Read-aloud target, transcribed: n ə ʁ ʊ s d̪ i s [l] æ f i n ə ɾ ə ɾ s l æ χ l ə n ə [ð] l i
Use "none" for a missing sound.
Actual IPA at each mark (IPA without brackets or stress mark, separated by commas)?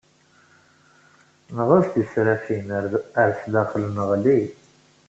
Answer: ɾ, ʁ